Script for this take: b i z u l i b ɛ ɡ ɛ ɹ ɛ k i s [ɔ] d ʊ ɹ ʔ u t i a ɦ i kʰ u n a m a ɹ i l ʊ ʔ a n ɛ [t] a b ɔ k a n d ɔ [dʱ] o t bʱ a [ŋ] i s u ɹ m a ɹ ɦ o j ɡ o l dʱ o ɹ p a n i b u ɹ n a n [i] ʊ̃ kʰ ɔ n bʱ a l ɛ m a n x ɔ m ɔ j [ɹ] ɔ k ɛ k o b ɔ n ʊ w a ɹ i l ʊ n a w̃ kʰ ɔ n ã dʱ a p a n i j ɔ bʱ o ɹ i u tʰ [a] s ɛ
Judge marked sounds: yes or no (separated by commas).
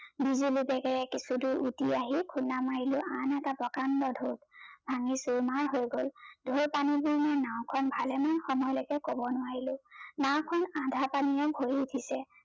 no, yes, yes, yes, no, no, no